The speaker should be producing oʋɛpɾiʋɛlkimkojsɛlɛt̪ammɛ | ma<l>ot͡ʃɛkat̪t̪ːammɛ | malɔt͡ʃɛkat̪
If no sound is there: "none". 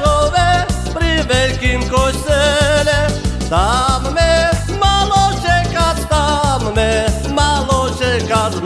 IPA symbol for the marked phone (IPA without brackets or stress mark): l